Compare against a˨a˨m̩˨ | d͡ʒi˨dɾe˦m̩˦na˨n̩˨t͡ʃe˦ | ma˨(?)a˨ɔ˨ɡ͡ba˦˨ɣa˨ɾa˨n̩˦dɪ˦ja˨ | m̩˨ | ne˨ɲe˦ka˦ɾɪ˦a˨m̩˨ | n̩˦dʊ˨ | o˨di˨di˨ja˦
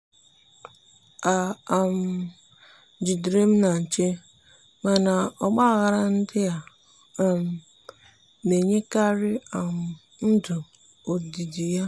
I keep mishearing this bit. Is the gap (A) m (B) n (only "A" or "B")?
B